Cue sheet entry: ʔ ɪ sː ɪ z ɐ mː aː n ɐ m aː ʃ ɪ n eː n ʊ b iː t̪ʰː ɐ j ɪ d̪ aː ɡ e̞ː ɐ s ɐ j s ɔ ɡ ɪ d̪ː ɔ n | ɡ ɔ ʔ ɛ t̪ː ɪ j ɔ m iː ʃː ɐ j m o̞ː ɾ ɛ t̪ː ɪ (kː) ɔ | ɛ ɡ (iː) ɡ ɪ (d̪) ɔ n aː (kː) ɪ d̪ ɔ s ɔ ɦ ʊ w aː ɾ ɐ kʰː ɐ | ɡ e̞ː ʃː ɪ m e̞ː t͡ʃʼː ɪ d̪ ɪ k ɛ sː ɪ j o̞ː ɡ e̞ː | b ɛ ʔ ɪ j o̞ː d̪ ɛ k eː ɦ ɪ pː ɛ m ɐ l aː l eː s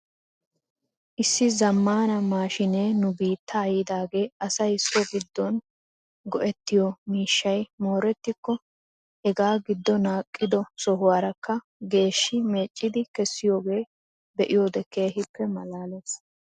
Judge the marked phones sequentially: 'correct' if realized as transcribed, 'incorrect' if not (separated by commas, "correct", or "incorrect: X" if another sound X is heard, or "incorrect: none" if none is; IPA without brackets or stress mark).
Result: correct, incorrect: aː, incorrect: d̪ː, incorrect: kʼː